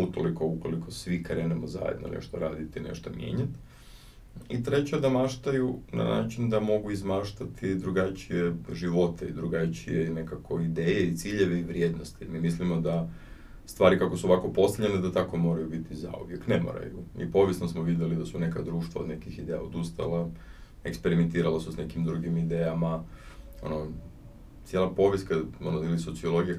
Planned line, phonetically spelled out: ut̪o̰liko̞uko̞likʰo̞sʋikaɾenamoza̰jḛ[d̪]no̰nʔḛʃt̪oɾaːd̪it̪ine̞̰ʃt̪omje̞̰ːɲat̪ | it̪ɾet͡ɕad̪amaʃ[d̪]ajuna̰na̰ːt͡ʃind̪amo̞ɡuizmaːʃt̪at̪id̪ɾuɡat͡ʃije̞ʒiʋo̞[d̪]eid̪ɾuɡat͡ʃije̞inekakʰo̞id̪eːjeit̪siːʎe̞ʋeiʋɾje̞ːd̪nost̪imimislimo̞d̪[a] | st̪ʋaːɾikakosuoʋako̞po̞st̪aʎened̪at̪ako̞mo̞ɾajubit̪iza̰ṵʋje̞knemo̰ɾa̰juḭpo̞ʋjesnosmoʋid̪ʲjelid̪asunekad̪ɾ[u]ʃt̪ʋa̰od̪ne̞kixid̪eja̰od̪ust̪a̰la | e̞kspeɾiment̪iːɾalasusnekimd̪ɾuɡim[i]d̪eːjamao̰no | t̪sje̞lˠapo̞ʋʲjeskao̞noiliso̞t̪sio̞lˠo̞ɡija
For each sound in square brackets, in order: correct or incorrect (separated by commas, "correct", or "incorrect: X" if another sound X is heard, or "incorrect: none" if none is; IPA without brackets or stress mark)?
correct, incorrect: t̪, incorrect: t̪, correct, incorrect: uː, correct